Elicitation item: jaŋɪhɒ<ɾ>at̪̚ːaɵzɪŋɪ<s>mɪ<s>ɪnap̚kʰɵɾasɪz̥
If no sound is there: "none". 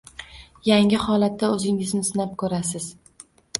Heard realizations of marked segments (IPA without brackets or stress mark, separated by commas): l, z, s